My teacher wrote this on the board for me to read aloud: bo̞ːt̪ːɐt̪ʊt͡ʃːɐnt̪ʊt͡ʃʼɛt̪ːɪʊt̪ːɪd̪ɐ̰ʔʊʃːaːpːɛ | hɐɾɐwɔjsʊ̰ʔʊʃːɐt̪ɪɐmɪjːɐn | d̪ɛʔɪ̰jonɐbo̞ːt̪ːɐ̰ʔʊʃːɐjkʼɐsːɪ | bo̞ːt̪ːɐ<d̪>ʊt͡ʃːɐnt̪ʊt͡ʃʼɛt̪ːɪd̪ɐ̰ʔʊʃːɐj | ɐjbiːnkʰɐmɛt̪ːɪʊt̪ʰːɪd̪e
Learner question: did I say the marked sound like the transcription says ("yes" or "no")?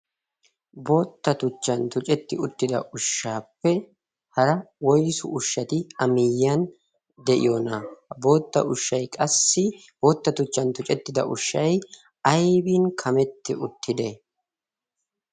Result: no